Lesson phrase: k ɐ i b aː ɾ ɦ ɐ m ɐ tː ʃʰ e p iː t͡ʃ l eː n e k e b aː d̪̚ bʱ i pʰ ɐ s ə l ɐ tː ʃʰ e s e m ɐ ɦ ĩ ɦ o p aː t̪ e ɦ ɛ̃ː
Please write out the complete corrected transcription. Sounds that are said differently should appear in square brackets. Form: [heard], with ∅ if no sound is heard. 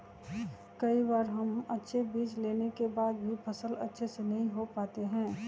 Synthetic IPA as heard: k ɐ i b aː ɾ ɦ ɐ m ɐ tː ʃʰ e [b] iː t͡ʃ l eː n e k e b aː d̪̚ bʱ i pʰ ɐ s ə l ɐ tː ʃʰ e s e [n] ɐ ɦ ĩ ɦ o p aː t̪ e ɦ ɛ̃ː